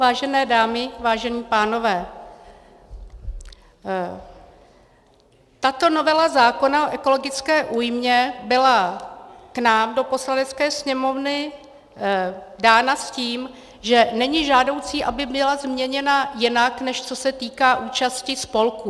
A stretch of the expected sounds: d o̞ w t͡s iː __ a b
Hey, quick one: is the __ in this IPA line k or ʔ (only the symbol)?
ʔ